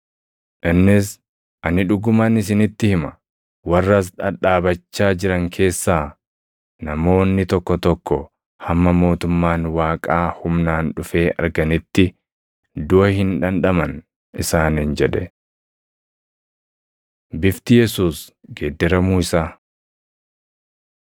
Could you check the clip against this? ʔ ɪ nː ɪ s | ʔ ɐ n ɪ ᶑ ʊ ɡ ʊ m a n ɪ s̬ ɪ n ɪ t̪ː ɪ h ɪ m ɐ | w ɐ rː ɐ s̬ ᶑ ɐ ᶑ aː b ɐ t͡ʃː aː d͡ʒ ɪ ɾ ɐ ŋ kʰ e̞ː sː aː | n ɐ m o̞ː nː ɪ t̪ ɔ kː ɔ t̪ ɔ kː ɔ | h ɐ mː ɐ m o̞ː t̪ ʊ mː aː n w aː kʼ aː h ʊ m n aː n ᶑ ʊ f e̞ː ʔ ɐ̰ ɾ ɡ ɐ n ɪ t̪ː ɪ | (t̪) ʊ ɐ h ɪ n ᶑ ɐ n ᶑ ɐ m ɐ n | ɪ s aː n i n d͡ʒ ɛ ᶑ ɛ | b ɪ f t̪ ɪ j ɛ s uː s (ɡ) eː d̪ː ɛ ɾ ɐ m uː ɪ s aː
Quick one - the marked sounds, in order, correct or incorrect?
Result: incorrect, correct

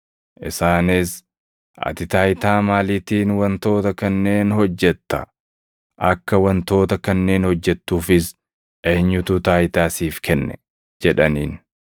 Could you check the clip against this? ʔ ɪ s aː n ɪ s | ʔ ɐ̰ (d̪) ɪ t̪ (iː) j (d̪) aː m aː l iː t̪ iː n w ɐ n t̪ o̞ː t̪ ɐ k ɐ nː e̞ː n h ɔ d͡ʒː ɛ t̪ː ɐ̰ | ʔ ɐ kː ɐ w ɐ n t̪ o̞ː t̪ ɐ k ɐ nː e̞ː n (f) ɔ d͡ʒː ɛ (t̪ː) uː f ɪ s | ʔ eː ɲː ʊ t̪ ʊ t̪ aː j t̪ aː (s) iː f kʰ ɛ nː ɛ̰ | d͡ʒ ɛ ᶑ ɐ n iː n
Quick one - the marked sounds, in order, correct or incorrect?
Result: incorrect, incorrect, incorrect, incorrect, correct, correct

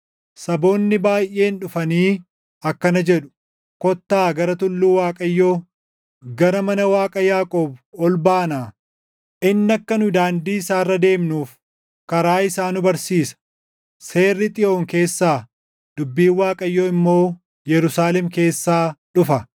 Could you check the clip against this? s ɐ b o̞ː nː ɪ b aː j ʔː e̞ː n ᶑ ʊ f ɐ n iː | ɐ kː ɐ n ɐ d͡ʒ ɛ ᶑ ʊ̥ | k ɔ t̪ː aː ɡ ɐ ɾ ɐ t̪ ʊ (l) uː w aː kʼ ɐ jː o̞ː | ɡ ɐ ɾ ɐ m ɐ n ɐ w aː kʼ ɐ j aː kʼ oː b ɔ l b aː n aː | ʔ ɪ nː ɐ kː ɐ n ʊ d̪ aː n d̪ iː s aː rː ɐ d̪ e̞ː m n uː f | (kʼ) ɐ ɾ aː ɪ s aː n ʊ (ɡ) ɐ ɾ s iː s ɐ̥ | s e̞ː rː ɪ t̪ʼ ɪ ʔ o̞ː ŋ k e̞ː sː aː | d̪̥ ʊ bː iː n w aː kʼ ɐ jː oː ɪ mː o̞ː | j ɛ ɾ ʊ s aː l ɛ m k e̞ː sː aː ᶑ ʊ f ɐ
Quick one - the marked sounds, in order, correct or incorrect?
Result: incorrect, incorrect, incorrect

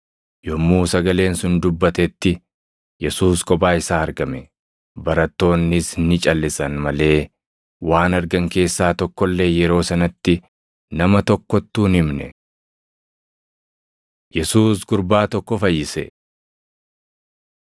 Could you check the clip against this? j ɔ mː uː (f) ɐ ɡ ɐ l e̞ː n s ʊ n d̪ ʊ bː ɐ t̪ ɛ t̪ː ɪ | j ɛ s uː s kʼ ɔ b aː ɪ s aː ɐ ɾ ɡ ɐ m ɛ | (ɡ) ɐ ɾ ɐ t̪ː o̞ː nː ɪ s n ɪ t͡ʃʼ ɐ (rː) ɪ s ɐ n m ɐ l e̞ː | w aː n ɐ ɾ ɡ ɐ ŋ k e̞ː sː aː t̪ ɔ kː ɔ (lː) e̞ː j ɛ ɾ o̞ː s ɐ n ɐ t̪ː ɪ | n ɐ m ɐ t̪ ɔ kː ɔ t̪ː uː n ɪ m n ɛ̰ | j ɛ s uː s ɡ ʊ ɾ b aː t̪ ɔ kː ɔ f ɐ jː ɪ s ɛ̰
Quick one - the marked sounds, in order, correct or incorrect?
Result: incorrect, incorrect, incorrect, correct

